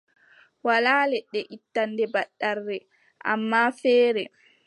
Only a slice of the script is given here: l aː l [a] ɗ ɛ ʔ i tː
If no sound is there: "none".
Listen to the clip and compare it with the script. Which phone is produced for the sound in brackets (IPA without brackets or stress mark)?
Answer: ɛ